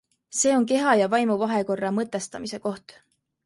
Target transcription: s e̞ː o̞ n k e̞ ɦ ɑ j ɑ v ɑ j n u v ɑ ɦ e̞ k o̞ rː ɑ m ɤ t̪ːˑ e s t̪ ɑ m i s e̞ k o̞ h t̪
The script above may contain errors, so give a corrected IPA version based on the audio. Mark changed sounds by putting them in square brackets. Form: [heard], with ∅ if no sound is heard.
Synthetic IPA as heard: s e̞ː o̞ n k e̞ ɦ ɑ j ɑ v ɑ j [m] u v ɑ ɦ e̞ k o̞ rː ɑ m ɤ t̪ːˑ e s t̪ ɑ m i s e̞ k o̞ h t̪